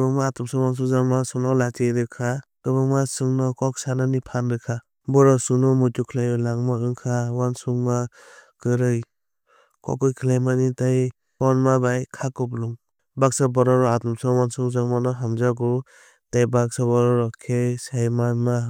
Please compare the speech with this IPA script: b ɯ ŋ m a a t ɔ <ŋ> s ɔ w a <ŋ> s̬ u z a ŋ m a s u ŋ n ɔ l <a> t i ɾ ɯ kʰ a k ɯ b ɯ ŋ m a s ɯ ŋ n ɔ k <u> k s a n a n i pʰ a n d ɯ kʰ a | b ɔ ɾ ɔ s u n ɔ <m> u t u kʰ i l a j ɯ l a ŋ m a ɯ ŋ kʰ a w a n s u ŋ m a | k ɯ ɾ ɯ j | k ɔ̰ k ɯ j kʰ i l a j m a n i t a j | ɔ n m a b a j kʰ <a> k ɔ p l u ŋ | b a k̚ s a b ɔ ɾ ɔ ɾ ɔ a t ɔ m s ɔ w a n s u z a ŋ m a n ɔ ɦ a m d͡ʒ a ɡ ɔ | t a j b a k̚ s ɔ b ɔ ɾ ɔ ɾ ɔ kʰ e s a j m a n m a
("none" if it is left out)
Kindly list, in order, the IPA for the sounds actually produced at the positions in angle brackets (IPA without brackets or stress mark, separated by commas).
m, n, a, ɔ, m, a